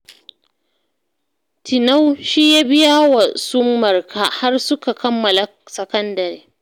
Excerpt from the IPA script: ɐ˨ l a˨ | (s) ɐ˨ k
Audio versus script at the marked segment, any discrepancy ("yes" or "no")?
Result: no